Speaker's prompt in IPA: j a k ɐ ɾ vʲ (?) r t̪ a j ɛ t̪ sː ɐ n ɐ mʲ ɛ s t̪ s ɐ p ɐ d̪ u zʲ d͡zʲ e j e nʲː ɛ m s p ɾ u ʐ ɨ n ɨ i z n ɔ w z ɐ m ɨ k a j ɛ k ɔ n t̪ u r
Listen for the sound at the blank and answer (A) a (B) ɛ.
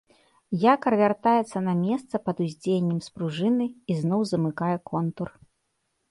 A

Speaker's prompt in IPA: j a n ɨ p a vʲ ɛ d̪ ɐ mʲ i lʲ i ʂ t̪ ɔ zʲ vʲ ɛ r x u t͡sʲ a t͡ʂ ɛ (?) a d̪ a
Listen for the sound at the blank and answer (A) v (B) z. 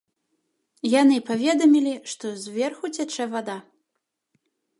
A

